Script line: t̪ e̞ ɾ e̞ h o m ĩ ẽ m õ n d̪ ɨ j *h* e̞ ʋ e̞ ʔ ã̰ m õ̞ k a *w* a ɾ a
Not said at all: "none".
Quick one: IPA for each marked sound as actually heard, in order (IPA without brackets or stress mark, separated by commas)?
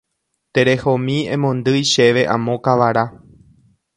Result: ʃ, ʋ